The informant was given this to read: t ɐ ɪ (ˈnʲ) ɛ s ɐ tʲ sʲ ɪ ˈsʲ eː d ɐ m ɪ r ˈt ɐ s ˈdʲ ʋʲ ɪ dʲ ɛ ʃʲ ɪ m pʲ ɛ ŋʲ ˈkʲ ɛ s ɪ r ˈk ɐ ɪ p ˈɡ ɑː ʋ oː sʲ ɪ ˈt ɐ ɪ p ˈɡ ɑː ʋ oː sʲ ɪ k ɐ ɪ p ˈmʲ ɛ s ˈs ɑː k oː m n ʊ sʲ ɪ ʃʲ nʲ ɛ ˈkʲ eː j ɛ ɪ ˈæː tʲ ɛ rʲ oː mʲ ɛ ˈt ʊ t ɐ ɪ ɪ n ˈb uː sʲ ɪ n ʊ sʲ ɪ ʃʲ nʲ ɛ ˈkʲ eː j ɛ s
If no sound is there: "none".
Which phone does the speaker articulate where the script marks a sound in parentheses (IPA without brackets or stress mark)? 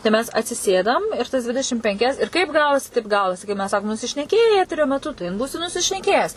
mʲ